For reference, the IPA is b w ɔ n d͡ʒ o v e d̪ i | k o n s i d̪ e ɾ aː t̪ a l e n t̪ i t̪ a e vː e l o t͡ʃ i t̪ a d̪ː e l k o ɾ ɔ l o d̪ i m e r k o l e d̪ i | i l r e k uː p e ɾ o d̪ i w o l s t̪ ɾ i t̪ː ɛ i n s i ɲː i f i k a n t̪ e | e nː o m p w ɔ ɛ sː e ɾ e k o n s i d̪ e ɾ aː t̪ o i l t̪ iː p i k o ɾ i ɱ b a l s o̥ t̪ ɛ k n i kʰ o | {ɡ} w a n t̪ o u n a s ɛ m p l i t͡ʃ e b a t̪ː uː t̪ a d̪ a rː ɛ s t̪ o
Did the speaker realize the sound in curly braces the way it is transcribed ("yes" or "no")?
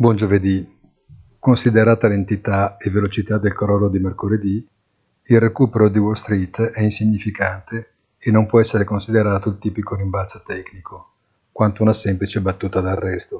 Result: no